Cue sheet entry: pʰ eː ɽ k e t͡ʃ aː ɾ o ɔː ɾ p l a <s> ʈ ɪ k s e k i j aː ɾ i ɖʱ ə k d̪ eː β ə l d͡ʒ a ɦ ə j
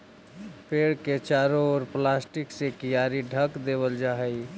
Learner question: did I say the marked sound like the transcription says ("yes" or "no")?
yes